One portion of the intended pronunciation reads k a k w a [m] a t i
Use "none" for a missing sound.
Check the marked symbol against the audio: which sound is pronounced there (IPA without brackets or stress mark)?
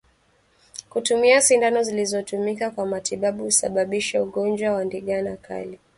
m